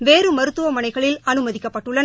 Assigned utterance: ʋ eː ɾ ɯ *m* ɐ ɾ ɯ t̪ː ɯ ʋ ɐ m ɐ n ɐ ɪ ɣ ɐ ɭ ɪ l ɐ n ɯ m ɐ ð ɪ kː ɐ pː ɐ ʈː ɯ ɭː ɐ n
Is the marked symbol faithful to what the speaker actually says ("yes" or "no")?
yes